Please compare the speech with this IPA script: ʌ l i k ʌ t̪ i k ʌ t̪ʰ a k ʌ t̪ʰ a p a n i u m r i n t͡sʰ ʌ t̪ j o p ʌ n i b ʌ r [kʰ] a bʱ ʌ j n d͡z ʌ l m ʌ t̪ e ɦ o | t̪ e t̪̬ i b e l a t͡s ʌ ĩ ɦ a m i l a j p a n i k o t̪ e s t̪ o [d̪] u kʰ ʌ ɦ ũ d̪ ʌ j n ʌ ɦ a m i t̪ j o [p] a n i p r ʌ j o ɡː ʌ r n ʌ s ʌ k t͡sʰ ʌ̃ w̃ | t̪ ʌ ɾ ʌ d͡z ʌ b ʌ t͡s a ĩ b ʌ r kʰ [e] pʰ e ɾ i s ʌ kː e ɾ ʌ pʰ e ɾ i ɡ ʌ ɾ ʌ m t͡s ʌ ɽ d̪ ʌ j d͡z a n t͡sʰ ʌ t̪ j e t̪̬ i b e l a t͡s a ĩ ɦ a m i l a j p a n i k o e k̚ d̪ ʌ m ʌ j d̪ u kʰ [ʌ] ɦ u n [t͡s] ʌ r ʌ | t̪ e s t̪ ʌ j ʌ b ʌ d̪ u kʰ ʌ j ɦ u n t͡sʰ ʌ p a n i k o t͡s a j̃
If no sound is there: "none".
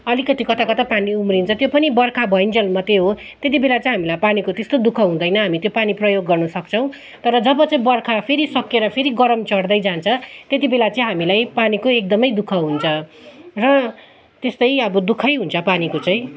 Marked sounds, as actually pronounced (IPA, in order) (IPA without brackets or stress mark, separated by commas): kʰ, d̪, p, a, ʌ, t͡sʰ